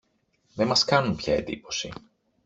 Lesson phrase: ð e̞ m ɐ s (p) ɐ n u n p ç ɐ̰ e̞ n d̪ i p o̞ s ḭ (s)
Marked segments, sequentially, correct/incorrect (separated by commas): incorrect, incorrect